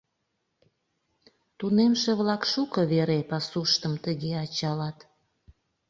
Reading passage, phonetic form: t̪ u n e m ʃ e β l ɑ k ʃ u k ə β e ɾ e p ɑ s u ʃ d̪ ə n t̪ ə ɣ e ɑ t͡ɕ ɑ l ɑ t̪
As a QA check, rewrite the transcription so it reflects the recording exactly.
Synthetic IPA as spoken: t̪ u n e m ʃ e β l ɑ k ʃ u k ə β e ɾ e p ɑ s u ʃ t̪ ə m t̪ ə ɣ e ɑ t͡ɕ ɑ l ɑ t̪